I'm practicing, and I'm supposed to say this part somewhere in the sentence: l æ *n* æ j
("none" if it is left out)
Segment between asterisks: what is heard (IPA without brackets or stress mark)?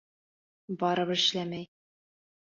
m